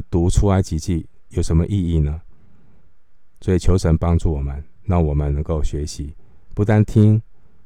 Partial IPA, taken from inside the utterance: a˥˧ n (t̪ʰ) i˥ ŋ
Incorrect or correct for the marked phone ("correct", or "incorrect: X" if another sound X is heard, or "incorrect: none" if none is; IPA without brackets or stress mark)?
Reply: correct